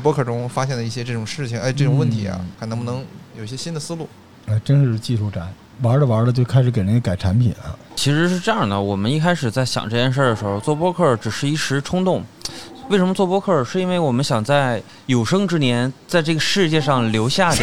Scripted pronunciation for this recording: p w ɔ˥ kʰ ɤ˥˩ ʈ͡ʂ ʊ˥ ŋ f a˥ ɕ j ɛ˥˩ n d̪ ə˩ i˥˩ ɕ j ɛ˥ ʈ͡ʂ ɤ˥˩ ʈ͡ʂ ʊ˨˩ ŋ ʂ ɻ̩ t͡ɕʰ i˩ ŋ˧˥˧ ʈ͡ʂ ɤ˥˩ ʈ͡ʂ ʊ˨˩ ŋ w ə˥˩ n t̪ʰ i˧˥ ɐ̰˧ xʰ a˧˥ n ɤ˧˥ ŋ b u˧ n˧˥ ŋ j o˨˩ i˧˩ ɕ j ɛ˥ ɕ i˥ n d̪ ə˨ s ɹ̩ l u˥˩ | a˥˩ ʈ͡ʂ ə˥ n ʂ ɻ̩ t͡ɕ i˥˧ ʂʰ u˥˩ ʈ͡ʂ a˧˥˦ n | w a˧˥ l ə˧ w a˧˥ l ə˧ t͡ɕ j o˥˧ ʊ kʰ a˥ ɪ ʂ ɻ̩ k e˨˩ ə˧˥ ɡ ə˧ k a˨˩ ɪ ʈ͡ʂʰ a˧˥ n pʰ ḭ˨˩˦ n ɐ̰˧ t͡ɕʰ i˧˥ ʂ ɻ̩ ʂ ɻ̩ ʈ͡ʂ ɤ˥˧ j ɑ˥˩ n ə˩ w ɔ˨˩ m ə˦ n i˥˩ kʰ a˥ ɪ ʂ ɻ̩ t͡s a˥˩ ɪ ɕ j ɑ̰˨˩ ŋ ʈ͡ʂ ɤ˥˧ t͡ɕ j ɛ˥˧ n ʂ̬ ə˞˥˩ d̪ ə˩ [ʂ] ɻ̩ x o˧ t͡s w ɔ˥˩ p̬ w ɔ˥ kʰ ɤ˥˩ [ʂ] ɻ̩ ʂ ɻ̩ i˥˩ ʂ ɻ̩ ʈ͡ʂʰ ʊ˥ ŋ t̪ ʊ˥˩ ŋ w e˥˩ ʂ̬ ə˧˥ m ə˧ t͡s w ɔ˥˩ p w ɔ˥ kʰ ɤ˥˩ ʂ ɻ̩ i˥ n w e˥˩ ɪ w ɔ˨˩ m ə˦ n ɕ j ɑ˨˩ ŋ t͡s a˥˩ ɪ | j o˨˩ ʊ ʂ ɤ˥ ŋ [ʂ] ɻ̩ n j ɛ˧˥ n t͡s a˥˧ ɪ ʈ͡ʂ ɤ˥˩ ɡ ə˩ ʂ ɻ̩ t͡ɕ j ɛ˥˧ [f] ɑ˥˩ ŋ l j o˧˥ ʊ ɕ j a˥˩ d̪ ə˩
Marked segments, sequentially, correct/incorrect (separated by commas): correct, incorrect, incorrect, incorrect